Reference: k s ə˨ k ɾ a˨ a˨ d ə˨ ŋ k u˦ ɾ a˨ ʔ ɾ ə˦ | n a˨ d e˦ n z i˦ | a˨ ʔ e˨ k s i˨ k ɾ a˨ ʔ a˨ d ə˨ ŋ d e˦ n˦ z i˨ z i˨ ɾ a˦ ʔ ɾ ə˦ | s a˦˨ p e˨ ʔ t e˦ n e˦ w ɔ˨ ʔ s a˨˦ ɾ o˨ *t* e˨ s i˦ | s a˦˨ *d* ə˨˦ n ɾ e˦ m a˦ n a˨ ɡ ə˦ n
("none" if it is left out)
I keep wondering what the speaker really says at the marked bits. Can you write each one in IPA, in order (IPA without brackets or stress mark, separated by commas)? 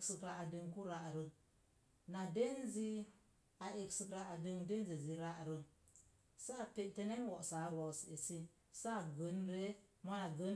s, ɡ